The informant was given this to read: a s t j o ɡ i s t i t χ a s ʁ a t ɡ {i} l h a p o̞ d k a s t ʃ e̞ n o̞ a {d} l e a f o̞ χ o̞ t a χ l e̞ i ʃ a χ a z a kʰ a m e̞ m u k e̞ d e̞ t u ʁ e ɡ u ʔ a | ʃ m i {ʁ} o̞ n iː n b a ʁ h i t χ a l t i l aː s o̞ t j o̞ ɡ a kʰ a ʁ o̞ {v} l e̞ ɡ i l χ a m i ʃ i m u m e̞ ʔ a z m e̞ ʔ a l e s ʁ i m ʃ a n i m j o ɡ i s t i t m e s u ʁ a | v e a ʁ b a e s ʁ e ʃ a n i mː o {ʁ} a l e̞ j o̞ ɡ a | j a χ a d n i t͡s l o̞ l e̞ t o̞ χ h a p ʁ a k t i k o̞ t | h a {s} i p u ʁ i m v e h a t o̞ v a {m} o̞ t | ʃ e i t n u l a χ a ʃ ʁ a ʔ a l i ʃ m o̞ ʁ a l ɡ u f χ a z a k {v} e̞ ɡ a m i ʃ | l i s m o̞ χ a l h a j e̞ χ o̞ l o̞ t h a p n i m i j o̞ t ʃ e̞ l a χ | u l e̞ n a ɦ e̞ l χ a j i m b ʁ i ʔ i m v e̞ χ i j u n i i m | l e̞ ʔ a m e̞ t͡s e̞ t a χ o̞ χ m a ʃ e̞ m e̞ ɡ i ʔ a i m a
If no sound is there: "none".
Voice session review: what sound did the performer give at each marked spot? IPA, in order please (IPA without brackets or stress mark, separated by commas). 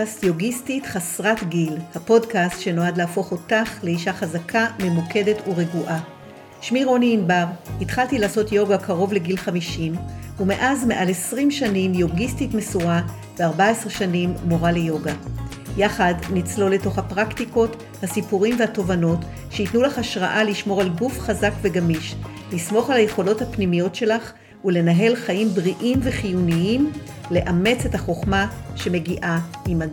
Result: i, d, ʁ, v, ʁ, s, n, v